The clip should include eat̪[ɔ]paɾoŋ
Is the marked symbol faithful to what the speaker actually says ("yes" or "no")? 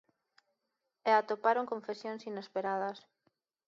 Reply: no